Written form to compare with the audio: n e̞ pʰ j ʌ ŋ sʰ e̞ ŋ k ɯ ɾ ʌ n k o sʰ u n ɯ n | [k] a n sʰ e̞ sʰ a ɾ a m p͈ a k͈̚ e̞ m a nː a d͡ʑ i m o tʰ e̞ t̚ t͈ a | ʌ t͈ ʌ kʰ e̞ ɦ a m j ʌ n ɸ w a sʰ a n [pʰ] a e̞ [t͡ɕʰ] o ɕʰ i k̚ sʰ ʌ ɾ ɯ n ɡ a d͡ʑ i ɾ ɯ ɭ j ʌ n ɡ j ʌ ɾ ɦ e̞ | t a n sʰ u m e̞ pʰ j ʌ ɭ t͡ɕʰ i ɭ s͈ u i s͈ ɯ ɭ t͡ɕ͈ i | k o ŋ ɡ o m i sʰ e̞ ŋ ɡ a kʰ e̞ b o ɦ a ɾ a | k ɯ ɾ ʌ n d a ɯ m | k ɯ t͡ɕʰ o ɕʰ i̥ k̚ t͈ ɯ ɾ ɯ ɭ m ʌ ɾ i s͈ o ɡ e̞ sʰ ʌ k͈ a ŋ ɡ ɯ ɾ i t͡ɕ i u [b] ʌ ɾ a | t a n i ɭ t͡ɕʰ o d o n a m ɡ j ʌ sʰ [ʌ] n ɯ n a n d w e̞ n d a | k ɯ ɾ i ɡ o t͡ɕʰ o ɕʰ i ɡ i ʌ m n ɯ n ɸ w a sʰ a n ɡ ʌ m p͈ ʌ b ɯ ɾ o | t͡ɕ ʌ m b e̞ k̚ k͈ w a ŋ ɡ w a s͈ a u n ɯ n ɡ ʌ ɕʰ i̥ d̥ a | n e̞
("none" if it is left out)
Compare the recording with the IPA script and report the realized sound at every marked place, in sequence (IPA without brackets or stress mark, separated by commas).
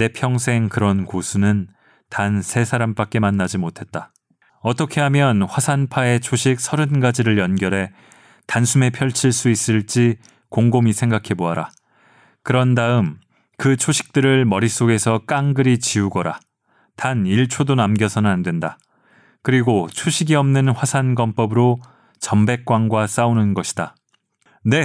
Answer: t, pʰ, t͡ɕʰ, ɡ, ʌ